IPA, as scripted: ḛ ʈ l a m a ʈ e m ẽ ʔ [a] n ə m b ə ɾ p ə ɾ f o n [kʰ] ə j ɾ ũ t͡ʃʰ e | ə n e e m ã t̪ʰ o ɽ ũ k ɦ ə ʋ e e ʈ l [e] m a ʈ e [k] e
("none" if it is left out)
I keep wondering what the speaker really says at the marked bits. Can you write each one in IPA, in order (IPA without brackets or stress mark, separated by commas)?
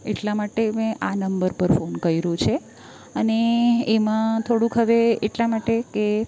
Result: a, k, a, k